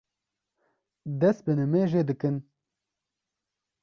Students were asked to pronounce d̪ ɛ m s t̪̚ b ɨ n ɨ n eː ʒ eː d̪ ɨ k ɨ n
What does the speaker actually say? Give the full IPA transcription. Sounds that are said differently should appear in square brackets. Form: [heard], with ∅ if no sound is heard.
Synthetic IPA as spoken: d̪ ɛ [∅] s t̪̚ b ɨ n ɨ [m] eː ʒ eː d̪ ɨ k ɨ n